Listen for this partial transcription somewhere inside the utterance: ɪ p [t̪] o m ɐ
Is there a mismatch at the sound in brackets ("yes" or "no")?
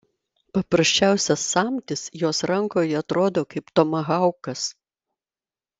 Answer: no